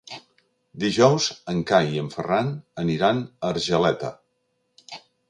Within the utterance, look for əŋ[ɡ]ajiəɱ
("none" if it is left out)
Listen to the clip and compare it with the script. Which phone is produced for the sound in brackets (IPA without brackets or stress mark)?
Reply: k